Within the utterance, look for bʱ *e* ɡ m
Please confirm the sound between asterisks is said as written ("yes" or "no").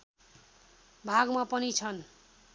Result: no